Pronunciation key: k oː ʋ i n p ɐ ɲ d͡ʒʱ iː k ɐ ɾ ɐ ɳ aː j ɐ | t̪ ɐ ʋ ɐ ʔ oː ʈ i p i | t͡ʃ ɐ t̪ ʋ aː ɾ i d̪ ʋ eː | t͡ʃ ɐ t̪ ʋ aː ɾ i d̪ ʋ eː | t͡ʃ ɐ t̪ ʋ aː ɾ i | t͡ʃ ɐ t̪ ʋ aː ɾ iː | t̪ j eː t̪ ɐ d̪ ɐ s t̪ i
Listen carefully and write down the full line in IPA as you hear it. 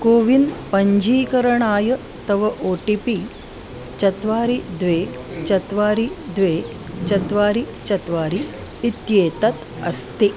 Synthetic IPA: k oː ʋ i n p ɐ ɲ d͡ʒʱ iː k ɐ ɾ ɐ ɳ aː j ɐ | t̪ ɐ ʋ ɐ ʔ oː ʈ i p i | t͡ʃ ɐ t̪ ʋ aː ɾ i d̪ ʋ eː | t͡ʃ ɐ t̪ ʋ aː ɾ i d̪ ʋ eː | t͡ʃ ɐ t̪ ʋ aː ɾ i | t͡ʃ ɐ t̪ ʋ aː ɾ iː | t̪ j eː t̪ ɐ t̪ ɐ s t̪ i